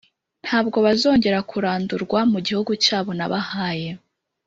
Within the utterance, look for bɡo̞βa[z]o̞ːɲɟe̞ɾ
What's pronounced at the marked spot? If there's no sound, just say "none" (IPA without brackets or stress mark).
z